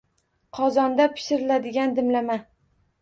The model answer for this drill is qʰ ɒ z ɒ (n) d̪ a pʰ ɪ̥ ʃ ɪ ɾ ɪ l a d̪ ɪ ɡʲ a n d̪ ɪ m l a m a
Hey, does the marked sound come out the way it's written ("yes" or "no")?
yes